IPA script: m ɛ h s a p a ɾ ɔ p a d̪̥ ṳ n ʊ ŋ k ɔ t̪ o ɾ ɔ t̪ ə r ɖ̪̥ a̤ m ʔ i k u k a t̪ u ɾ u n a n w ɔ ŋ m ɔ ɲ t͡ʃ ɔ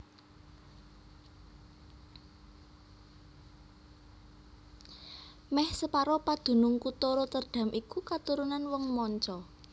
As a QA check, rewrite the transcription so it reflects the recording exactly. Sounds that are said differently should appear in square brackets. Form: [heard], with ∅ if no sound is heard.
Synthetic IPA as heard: m ɛ h s [ə] p a ɾ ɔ p a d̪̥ ṳ n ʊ ŋ k [u] t̪ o ɾ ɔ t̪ ə r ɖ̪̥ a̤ m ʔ i k u k a t̪ u ɾ u n a n w ɔ ŋ m ɔ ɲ t͡ʃ ɔ